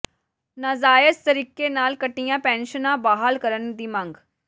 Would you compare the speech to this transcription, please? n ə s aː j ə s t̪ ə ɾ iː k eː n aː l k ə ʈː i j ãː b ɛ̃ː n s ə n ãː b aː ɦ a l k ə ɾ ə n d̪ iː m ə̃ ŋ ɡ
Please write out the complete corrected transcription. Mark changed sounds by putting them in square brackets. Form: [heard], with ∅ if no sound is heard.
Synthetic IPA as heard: n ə [z] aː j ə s t̪ ə ɾ iː k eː n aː l k ə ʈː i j ãː [p] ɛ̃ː n [ʃ] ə n ãː b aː ɦ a l k ə ɾ ə n d̪ iː m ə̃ ŋ ɡ